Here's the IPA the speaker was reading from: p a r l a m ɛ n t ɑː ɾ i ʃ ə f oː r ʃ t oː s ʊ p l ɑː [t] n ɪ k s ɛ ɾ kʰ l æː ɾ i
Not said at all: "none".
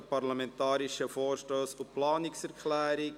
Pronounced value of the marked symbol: none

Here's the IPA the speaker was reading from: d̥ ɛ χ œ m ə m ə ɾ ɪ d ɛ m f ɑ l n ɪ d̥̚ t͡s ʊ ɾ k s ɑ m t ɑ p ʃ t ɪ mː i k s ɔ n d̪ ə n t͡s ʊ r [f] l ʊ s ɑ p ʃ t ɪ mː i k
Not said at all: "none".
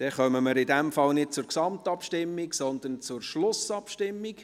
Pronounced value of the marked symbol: ʃ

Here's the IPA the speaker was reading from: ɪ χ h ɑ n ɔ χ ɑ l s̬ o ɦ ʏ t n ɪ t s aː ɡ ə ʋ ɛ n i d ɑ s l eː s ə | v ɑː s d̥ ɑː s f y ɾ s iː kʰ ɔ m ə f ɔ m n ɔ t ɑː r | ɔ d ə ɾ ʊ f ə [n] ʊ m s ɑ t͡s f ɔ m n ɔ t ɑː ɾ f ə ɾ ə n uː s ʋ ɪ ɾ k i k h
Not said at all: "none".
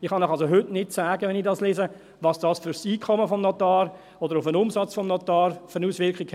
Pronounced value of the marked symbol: n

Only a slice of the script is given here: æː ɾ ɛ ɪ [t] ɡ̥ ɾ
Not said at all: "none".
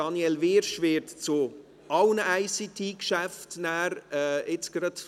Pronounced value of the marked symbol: t͡s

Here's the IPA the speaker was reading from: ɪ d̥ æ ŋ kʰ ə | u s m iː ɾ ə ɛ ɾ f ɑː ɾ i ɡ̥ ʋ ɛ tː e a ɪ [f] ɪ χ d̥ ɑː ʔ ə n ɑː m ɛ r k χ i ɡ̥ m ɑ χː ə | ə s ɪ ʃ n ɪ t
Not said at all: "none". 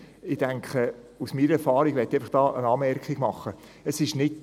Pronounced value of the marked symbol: f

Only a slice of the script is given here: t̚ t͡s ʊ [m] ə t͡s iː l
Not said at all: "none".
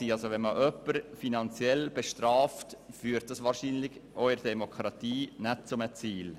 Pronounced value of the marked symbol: m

